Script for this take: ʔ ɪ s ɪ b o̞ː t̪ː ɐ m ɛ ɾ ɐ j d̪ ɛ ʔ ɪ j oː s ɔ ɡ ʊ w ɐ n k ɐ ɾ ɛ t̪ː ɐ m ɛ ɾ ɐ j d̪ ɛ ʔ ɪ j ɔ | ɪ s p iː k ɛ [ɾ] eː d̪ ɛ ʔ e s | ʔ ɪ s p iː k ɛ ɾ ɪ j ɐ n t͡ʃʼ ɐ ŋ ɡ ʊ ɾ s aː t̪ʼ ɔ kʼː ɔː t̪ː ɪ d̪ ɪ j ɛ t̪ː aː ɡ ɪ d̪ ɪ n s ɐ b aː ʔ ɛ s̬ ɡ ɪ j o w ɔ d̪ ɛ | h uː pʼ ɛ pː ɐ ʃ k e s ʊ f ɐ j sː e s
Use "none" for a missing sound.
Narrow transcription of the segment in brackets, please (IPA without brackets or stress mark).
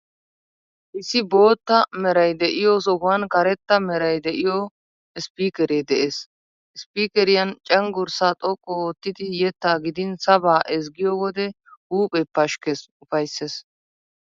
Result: ɾ